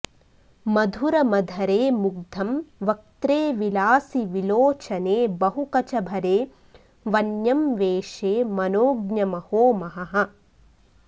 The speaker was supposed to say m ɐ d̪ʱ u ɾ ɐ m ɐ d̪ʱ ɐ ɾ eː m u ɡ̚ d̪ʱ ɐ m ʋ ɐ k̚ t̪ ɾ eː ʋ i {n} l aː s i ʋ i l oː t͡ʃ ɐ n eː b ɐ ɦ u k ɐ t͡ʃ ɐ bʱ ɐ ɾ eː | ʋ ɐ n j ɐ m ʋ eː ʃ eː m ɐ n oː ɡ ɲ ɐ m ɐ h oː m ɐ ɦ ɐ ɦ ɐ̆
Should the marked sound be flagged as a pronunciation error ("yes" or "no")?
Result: yes